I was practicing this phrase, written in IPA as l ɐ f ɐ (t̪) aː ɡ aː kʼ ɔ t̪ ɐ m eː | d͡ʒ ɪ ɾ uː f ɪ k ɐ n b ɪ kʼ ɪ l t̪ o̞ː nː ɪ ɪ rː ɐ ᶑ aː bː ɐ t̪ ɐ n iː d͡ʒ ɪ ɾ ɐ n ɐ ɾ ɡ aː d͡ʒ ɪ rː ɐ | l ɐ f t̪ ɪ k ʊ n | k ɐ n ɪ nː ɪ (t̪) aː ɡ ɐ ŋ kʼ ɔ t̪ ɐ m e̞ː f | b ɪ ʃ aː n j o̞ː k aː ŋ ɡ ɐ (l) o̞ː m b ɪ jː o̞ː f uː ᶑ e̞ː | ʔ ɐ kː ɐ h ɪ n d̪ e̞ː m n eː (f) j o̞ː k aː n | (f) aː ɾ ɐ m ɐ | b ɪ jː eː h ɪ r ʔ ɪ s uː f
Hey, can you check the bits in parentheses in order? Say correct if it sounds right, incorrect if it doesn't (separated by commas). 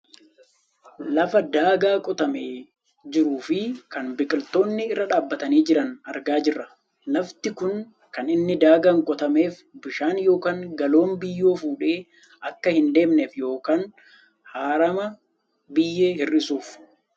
incorrect, incorrect, correct, correct, incorrect